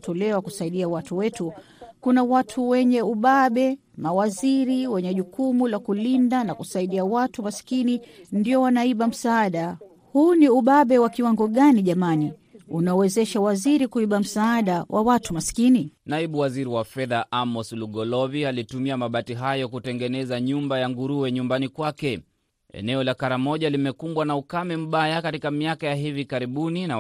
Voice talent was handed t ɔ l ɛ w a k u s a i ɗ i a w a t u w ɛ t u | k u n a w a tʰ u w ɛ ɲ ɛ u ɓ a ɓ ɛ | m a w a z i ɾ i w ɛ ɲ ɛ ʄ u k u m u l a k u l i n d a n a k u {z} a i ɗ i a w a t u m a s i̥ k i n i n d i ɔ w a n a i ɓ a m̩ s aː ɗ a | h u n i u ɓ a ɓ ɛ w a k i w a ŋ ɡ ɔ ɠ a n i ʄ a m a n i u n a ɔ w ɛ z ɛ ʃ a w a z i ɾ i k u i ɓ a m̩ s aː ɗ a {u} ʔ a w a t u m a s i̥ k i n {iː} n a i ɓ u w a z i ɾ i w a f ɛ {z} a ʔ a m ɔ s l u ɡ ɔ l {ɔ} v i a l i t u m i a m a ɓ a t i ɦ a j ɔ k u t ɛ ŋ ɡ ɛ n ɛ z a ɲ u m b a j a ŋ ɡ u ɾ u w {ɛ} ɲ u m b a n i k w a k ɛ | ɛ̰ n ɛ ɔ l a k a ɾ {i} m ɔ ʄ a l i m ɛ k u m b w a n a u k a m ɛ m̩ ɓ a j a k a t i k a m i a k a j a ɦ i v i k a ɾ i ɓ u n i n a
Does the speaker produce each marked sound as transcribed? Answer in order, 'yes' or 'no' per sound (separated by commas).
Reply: no, no, no, no, yes, yes, no